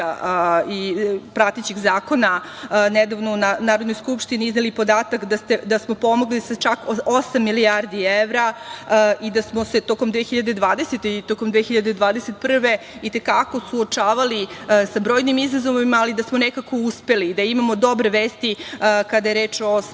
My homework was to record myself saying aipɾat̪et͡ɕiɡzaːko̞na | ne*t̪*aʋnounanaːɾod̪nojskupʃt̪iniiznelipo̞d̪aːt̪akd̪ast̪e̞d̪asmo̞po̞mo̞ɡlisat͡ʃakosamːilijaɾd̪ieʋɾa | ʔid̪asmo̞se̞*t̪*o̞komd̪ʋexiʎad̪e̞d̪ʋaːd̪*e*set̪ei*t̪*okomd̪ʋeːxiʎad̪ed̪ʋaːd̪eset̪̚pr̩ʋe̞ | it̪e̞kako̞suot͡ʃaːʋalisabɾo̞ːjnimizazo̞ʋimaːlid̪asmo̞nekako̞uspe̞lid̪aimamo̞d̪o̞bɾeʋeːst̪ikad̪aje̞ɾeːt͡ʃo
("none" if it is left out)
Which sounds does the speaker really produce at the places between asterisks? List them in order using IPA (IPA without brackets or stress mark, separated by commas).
d̪, t̪, e, t̪